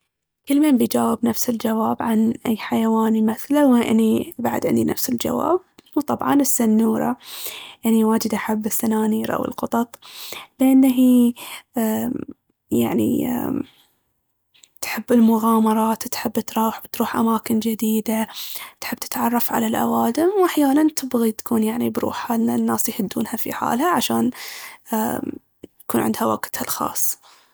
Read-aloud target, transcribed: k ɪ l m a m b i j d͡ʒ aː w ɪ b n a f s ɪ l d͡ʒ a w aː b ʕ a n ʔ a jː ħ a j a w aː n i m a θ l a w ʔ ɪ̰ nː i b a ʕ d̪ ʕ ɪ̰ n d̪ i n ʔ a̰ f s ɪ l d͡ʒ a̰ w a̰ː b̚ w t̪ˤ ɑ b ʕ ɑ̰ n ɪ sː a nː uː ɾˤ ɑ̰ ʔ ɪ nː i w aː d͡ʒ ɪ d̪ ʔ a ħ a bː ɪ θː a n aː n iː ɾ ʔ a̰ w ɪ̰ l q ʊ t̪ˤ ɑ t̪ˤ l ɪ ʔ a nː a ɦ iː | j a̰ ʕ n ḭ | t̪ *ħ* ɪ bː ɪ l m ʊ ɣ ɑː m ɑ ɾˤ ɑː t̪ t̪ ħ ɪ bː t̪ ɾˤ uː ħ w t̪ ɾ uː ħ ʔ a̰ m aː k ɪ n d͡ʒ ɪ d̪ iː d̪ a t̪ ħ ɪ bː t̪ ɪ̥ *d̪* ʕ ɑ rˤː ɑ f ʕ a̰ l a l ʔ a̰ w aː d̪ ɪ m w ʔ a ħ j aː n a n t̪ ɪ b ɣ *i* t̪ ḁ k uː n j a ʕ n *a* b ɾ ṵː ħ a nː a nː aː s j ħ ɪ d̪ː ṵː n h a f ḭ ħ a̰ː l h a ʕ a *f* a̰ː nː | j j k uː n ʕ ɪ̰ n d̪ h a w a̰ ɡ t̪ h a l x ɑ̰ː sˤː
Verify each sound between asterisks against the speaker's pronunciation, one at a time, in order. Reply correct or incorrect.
correct, incorrect: t̪, correct, incorrect: i, incorrect: ʃ

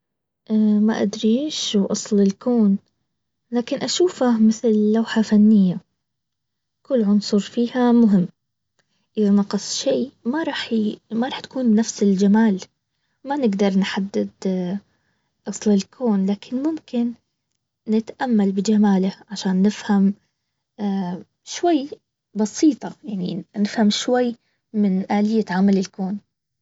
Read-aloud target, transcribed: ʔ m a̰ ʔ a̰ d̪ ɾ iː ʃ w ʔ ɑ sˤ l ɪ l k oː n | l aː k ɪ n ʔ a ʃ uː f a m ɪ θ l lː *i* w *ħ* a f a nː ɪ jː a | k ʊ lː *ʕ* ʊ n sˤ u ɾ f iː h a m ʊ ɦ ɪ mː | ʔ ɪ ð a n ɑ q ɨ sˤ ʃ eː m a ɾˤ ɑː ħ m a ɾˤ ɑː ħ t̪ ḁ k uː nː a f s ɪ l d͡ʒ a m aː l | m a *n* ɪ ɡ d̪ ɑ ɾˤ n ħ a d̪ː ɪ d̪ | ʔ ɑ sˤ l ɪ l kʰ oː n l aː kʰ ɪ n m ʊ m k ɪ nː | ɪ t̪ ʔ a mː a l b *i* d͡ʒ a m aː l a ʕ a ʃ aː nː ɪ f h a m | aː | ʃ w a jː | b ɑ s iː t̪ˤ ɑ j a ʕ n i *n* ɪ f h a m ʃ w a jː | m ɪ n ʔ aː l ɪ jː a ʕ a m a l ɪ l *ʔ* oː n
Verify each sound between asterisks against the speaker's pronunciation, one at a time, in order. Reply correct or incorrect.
incorrect: a, correct, correct, correct, incorrect: ɪ, correct, incorrect: k

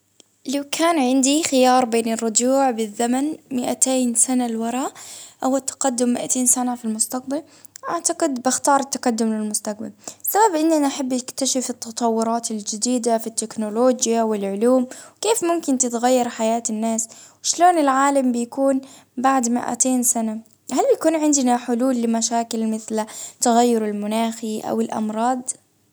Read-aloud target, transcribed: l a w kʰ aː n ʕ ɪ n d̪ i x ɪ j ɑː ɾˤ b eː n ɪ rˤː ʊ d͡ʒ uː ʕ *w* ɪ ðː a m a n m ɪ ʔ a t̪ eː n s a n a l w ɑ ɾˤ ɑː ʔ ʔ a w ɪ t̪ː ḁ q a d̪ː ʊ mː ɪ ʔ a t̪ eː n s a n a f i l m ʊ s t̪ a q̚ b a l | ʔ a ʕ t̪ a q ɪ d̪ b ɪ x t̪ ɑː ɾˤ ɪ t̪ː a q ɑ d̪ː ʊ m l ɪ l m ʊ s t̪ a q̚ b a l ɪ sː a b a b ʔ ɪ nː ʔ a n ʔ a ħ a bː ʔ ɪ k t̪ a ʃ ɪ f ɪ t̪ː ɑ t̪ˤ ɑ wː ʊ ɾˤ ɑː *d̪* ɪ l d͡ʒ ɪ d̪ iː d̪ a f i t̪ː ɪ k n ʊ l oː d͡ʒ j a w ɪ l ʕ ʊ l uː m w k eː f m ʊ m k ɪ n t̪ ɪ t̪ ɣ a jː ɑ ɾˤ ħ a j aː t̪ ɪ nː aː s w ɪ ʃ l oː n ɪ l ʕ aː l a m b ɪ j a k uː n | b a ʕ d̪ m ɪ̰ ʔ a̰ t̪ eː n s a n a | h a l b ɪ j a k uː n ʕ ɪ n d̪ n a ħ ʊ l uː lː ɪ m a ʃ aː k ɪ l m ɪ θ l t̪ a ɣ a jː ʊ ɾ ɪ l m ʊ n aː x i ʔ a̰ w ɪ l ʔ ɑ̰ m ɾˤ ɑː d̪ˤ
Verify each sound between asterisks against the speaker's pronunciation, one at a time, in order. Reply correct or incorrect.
incorrect: b, incorrect: t̪

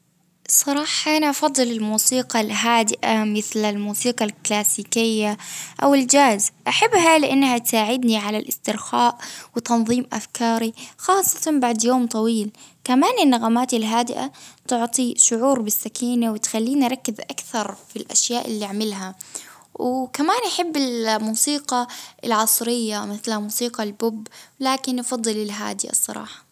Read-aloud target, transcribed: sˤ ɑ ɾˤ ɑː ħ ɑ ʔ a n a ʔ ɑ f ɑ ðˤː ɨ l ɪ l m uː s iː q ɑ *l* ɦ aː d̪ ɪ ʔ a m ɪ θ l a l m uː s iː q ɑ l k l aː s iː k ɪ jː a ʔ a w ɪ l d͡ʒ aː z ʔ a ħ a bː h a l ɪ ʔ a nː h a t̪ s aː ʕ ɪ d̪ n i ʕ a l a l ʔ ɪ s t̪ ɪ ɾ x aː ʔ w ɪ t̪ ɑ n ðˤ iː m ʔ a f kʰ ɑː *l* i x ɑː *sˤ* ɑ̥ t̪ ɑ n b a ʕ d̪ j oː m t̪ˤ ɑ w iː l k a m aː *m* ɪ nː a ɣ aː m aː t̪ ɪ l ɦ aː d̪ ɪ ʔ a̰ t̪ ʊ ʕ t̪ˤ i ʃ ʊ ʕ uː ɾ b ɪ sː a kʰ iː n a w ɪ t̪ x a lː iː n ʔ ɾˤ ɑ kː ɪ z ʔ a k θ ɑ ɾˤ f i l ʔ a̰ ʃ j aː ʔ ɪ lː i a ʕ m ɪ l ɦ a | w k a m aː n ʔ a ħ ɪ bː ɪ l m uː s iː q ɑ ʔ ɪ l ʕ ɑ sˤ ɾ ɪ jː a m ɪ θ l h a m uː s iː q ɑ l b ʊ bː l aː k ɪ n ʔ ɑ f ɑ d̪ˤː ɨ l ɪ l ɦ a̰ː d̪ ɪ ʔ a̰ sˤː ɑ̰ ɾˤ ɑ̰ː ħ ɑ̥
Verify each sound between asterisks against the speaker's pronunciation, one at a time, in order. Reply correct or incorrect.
correct, incorrect: ɾ, incorrect: sˤː, incorrect: n

